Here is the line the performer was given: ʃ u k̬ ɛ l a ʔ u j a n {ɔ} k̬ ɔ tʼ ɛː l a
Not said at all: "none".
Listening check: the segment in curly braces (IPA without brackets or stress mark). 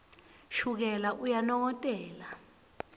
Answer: ɔ